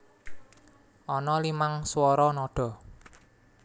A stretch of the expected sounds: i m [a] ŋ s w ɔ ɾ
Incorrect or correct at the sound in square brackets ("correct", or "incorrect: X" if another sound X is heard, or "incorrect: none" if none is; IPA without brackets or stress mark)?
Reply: correct